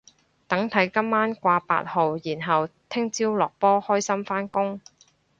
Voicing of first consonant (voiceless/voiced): voiceless